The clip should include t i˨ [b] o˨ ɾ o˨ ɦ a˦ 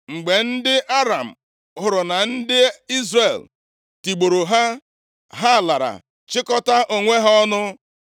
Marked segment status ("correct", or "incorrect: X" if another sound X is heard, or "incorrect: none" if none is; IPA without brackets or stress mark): incorrect: ɡ͡b